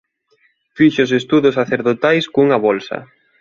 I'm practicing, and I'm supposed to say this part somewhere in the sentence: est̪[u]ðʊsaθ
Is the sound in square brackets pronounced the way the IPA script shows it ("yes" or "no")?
yes